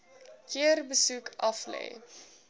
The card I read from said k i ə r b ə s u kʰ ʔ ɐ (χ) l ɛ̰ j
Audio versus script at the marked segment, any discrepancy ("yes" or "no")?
yes